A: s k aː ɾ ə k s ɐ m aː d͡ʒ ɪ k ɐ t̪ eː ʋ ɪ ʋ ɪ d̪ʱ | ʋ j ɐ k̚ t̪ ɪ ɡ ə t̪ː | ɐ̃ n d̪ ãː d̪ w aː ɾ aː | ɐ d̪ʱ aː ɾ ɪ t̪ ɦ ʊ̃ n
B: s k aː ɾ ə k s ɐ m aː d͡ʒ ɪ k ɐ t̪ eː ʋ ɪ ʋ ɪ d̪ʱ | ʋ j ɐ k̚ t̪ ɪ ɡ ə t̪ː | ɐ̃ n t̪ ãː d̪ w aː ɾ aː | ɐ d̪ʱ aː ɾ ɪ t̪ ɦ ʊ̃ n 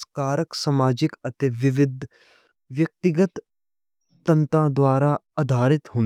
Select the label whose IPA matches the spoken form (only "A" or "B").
B